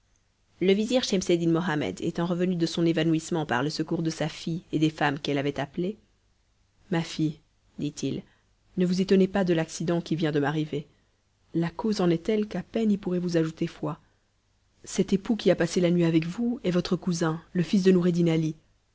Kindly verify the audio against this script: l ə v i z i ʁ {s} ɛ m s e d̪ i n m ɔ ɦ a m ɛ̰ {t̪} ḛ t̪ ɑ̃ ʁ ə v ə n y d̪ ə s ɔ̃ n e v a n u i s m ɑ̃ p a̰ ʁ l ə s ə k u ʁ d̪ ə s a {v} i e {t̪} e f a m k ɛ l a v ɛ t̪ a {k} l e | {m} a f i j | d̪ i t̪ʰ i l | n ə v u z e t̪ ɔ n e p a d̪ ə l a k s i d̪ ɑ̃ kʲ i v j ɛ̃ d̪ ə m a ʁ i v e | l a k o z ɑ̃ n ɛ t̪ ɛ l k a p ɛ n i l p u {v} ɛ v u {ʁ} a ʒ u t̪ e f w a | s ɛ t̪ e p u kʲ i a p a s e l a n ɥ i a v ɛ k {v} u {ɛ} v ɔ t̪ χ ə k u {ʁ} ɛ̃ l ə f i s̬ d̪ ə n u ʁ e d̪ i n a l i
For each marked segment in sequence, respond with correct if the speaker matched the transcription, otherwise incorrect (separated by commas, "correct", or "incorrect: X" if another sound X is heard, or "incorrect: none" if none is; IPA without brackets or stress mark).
incorrect: ʃ, incorrect: d̪, incorrect: f, incorrect: d̪, incorrect: p, correct, incorrect: ʁ, incorrect: z, correct, correct, incorrect: z